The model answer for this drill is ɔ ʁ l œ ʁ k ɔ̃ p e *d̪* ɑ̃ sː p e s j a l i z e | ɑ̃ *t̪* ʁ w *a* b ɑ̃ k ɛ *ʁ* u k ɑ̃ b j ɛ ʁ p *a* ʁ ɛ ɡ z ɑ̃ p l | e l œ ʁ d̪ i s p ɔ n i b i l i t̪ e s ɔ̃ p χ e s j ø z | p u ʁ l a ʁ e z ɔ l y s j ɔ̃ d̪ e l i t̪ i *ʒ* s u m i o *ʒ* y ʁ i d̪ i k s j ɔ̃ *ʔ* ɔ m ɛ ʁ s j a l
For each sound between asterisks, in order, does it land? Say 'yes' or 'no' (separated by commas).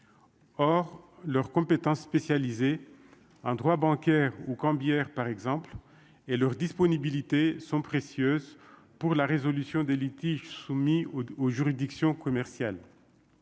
no, no, yes, yes, yes, yes, yes, no